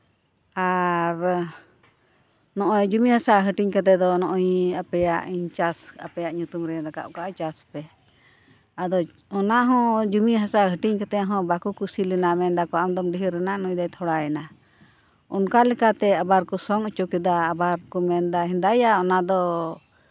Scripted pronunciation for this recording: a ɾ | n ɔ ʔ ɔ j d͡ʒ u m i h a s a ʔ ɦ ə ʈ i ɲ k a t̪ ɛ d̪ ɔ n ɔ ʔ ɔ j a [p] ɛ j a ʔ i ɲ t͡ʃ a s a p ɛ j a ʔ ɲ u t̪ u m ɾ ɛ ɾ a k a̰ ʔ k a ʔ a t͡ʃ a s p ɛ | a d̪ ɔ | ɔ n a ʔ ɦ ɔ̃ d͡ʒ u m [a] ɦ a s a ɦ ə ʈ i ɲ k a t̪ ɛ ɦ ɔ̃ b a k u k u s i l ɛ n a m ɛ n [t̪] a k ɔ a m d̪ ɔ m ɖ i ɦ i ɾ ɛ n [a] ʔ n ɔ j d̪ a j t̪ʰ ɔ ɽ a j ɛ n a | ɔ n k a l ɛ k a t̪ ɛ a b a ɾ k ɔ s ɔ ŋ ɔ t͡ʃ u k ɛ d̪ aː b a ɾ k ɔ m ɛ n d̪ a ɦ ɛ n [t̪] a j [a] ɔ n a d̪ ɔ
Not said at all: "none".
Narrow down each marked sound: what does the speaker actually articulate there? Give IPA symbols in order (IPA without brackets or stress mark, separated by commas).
p, i, d̪, a, d̪, a